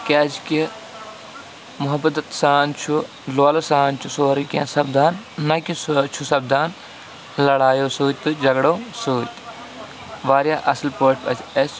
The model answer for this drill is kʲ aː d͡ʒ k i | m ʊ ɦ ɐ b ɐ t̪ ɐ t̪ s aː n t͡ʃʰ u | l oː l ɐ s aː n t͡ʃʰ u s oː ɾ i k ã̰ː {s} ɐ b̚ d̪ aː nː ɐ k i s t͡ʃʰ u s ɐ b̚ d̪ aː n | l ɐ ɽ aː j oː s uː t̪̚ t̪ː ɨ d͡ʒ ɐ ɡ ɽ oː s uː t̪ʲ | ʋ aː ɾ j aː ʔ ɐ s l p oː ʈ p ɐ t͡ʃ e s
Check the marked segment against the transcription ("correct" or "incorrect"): correct